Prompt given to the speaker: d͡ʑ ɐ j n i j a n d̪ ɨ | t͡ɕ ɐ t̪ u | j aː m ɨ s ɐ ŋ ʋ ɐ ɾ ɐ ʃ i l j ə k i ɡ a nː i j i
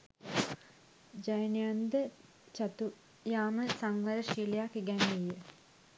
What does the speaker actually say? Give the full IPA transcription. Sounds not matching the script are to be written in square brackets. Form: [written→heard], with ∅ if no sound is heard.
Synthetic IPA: d͡ʑ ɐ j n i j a n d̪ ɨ | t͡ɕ ɐ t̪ u | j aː m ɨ s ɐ ŋ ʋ ɐ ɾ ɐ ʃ i l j [ə→a] k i ɡ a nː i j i